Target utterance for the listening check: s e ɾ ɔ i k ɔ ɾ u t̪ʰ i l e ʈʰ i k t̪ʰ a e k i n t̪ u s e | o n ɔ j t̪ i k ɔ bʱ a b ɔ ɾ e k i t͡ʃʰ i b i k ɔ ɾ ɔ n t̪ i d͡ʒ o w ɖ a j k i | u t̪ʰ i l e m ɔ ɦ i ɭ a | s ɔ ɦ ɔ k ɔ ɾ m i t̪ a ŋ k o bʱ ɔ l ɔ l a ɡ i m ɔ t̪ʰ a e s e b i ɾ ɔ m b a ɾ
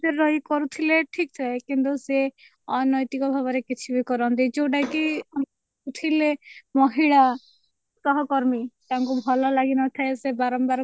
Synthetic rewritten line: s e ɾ ɔ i k ɔ ɾ u t̪ʰ i l e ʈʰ i k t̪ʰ a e k i n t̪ u s e | ɔ n ɔ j t̪ i k ɔ bʱ a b ɔ ɾ e k i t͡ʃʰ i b i k ɔ ɾ ɔ n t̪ i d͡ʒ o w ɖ a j k i | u t̪ʰ i l e m ɔ ɦ i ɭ a | s ɔ ɦ ɔ k ɔ ɾ m i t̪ a ŋ k u bʱ ɔ l ɔ l a ɡ i n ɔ t̪ʰ a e s e b a ɾ ɔ m b a ɾ